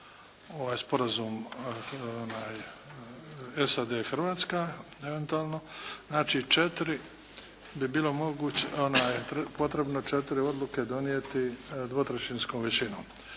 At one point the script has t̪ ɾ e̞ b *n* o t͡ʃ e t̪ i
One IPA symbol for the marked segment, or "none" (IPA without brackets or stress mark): n